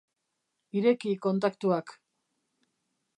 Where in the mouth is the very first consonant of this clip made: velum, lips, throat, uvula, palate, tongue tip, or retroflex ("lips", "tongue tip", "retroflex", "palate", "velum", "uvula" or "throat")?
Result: tongue tip